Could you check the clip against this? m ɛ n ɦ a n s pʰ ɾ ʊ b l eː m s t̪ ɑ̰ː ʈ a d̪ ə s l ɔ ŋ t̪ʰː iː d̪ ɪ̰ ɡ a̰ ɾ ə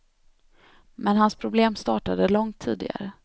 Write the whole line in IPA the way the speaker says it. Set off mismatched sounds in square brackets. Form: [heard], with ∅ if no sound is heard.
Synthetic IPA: m ɛ n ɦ a n s pʰ ɾ ʊ b l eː m s t̪ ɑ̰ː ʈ a d̪ ə [∅] l ɔ ŋ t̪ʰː iː d̪ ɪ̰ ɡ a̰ ɾ ə